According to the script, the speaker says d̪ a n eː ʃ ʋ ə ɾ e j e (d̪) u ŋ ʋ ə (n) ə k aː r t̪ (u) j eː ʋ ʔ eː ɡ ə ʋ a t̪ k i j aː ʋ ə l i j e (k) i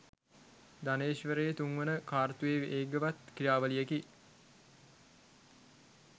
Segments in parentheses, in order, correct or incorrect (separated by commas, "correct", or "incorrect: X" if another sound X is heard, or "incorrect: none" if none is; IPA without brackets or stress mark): incorrect: t̪, correct, correct, correct